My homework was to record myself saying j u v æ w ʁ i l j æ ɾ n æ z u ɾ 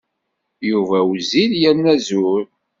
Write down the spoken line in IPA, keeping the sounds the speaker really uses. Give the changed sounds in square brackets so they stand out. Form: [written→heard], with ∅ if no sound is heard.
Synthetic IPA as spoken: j u v æ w [ʁ→z] i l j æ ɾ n æ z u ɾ